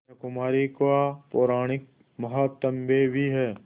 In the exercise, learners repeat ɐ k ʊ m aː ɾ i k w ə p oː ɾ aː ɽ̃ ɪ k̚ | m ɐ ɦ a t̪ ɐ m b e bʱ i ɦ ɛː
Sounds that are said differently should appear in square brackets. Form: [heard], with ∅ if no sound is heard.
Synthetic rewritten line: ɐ k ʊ m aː ɾ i k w [a] p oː ɾ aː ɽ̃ ɪ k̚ | m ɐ ɦ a t̪ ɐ m b e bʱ i ɦ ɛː

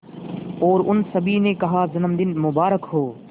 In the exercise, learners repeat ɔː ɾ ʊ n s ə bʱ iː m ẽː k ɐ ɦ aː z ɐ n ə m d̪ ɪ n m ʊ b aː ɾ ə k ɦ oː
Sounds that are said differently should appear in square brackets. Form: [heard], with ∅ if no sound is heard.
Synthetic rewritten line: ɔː ɾ ʊ n s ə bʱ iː [n] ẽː k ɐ ɦ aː z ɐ n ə m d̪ ɪ n m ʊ b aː ɾ ə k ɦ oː

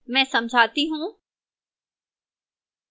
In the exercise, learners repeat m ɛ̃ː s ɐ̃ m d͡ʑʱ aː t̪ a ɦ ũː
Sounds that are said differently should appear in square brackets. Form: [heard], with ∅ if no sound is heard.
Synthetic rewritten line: m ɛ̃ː s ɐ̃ m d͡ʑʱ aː t̪ [i] ɦ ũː

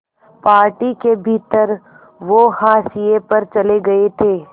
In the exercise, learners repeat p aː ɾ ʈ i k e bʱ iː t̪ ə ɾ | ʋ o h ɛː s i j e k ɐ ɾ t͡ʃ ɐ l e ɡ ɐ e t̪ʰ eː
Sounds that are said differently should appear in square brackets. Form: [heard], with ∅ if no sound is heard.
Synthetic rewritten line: p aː ɾ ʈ i k e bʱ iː t̪ ə ɾ | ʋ o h [aː] s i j e [p] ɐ ɾ t͡ʃ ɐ l e ɡ ɐ e t̪ʰ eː

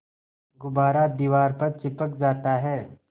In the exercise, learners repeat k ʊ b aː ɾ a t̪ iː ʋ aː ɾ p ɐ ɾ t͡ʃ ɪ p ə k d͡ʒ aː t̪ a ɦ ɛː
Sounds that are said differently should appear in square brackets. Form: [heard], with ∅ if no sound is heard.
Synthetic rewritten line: [ɡ] ʊ b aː ɾ a [d̪] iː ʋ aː ɾ p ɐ ɾ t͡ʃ ɪ p ə k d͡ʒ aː t̪ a ɦ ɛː

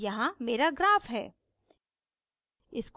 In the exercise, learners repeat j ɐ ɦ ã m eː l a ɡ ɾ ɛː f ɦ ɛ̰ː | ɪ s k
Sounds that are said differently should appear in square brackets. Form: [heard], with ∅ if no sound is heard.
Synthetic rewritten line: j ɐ ɦ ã m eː [ɾ] a ɡ ɾ [aː] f ɦ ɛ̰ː | ɪ s k

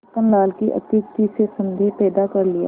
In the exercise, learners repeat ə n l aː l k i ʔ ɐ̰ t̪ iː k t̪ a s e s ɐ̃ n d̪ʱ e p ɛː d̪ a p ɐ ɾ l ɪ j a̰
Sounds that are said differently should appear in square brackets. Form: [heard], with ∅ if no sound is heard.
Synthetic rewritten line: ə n l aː l k i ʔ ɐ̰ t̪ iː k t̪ [i] s e s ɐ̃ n d̪ʱ e p ɛː d̪ a [k] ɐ ɾ l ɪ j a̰

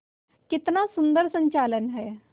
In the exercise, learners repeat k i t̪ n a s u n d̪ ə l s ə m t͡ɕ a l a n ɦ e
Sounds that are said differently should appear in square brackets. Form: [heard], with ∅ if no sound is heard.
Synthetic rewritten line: k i t̪ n a s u n d̪ ə [ɾ] s ə [ɲ] t͡ɕ a l [ə] n ɦ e

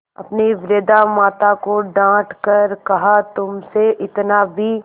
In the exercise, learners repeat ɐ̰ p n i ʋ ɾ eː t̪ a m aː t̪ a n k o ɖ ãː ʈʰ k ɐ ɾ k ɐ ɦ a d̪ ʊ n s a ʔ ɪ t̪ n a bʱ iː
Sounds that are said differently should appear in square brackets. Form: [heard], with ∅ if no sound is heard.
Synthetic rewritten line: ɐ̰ p n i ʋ ɾ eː [d̪] a m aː t̪ a [∅] k o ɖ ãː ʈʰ k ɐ ɾ k ɐ ɦ a [t̪] ʊ [m] s [e] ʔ ɪ t̪ n a bʱ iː

